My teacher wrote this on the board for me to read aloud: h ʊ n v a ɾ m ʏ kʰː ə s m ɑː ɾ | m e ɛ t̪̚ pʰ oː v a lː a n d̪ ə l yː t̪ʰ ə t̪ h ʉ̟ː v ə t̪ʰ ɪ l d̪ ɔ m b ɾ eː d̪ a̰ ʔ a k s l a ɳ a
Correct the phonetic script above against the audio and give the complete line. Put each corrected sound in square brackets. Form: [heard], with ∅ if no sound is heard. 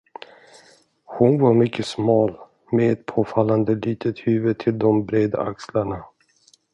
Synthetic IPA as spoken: h ʊ n v a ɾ m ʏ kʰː ə s m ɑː [l] | m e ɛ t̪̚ pʰ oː [f] a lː a n d̪ ə l [iː] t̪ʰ ə t̪ h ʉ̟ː v ə t̪ʰ ɪ l d̪ ɔ m b ɾ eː d̪ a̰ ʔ a k s l a ɳ a

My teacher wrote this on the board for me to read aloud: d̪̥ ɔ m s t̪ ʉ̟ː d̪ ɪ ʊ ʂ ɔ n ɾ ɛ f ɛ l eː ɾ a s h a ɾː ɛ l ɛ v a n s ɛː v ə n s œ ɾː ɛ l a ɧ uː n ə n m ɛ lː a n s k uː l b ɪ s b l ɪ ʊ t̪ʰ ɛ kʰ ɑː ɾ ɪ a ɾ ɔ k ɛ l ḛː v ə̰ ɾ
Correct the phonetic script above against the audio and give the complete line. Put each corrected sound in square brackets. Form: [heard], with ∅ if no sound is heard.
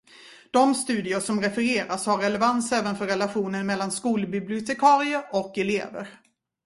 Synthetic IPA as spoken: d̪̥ ɔ m s t̪ ʉ̟ː d̪ ɪ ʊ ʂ ɔ [m] ɾ ɛ f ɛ [ɾ] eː ɾ a s h a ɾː ɛ l ɛ v a n s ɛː v ə n [f] œ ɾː ɛ l a ɧ uː n ə n m ɛ lː a n s k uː l b ɪ [∅] b l ɪ ʊ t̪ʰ ɛ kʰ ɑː ɾ ɪ [ə] ɾ ɔ k ɛ l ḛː v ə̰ ɾ

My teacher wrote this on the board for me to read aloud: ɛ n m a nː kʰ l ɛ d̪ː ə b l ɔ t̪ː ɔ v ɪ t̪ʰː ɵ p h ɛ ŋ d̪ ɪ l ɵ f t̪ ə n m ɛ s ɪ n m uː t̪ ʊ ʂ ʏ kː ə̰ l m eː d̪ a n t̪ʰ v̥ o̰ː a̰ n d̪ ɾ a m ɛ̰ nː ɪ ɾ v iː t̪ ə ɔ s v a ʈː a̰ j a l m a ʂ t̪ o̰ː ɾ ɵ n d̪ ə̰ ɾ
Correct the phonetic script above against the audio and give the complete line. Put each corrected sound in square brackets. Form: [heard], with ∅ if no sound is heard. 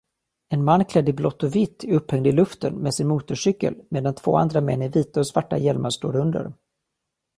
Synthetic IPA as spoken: ɛ n m a nː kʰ l ɛ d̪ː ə b l ɔ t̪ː ɔ v ɪ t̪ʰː ɵ p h ɛ ŋ d̪ ɪ l ɵ f t̪ ə n m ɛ s ɪ n m uː t̪ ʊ ʂ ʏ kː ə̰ l m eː d̪ a n t̪ʰ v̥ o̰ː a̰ n d̪ ɾ a m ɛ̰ nː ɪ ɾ v iː t̪ [a] ɔ s v a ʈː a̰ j [ɛ] l m a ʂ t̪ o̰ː ɾ ɵ n d̪ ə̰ ɾ

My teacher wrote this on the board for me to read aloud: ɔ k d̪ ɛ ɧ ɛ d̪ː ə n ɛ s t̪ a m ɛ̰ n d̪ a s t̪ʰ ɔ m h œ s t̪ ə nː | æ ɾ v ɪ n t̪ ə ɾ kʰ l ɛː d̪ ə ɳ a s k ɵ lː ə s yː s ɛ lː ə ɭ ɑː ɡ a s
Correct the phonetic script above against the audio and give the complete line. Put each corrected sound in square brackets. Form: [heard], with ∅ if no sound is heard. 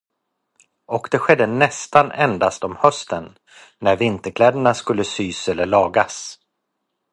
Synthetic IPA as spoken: ɔ k d̪ ɛ ɧ ɛ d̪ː ə n ɛ s t̪ a [n] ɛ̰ n d̪ a s [t̪] ɔ m h œ s t̪ ə nː | æ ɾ v ɪ n t̪ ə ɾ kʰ l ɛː d̪ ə ɳ a s k ɵ lː ə s yː s ɛ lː ə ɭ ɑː ɡ a s

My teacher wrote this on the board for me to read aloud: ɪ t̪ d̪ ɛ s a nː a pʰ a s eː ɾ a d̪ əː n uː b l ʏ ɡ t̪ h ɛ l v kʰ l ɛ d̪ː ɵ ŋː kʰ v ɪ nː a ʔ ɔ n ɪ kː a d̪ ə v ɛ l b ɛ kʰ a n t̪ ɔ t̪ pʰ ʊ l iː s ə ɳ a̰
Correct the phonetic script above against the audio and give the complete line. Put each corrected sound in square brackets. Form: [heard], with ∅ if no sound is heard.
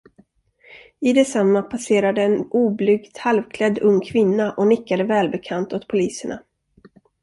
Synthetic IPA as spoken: ɪ [∅] d̪ ɛ s a [mː] a pʰ a s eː ɾ a d̪ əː n uː b l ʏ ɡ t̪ h [a] l v kʰ l ɛ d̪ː ɵ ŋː kʰ v ɪ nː a ʔ ɔ n ɪ kː a d̪ ə v [ɛː] l b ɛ kʰ a n t̪ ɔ t̪ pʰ ʊ l iː s ə ɳ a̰

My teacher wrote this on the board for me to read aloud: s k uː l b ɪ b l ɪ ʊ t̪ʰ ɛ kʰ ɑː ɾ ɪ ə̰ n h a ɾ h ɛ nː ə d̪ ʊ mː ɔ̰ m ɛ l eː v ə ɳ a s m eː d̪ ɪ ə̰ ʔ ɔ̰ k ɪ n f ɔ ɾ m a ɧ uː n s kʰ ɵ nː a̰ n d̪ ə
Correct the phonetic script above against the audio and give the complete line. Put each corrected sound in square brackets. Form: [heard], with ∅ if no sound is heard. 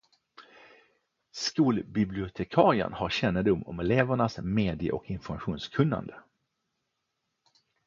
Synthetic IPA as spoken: s k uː l b ɪ b l ɪ ʊ t̪ʰ ɛ kʰ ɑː ɾ ɪ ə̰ n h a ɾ [ɕ] ɛ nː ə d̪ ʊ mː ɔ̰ m ɛ l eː v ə ɳ a s m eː d̪ ɪ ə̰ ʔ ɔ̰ k ɪ n f ɔ ɾ m a ɧ uː n s kʰ ɵ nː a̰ n d̪ ə

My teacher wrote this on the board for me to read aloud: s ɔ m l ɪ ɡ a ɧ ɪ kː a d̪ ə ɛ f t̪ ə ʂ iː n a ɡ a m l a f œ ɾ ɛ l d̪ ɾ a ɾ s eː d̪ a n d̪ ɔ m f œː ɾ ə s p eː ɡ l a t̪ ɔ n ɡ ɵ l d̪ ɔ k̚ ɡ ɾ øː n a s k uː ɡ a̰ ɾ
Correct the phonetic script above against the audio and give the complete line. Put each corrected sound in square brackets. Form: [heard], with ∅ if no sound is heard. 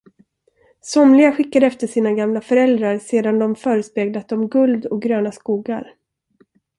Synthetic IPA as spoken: s ɔ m l ɪ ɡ a ɧ ɪ kː a d̪ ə ɛ f t̪ ə ʂ iː n a ɡ a m l a f œ ɾ ɛ l d̪ ɾ a ɾ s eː d̪ a n d̪ ɔ m f œː ɾ ə s p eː ɡ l a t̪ ɔ [m] ɡ ɵ l d̪ ɔ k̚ ɡ ɾ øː n a s k uː ɡ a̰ ɾ

